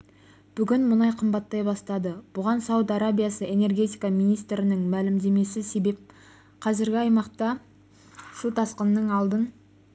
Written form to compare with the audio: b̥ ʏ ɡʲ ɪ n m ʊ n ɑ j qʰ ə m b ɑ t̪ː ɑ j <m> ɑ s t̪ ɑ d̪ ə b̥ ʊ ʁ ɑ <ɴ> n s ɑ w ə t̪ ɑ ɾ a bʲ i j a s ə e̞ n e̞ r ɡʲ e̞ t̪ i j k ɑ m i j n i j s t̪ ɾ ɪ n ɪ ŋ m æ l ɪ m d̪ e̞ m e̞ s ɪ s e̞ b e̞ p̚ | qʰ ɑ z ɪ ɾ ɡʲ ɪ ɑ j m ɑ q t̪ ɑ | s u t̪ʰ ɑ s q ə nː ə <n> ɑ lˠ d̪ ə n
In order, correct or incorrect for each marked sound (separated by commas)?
incorrect, incorrect, incorrect